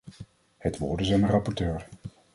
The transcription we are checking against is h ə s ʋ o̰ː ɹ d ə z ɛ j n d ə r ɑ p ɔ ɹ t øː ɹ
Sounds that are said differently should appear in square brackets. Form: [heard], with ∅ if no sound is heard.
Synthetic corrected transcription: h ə [t] ʋ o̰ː ɹ d ə z ɛ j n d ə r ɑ p ɔ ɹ t øː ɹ